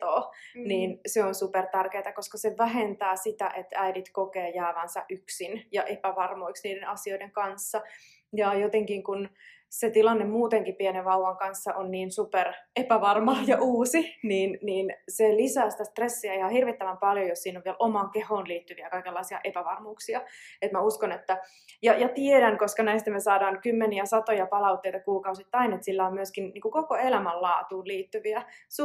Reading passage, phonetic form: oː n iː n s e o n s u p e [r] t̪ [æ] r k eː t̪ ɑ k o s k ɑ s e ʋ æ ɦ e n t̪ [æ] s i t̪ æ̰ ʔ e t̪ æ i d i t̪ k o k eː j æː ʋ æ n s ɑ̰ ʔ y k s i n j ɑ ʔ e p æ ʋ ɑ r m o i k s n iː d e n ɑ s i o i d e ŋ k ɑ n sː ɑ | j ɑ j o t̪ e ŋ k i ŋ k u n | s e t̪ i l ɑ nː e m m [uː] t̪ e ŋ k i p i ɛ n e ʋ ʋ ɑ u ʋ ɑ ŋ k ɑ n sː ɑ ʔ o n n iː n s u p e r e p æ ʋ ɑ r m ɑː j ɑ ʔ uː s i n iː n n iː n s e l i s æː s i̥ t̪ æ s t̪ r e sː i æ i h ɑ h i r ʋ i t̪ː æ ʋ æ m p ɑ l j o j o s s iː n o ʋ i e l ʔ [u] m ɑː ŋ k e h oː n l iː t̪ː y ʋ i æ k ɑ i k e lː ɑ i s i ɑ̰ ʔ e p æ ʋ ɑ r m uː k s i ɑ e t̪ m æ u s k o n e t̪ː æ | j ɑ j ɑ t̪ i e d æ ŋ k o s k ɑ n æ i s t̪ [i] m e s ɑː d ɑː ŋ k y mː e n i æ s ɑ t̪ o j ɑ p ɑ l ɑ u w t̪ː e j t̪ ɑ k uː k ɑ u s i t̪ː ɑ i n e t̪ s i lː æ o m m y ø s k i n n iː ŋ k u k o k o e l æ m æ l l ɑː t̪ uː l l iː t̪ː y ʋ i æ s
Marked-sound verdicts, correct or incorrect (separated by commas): correct, correct, incorrect, correct, incorrect, incorrect